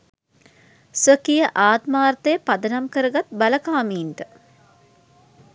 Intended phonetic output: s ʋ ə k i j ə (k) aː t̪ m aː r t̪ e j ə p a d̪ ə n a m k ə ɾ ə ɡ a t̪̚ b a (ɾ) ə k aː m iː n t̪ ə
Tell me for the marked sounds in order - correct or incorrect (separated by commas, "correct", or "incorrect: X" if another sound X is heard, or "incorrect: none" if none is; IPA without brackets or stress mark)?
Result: incorrect: ʔ, incorrect: l